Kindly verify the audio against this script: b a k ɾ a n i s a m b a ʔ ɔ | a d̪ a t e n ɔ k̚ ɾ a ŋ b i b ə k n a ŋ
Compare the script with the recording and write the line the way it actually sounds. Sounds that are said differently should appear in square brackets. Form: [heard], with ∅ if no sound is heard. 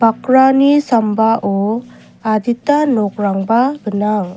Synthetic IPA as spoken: b a k ɾ a n i s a m b a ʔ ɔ | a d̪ [i] t [a] n ɔ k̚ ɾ a ŋ b [a] b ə [∅] n a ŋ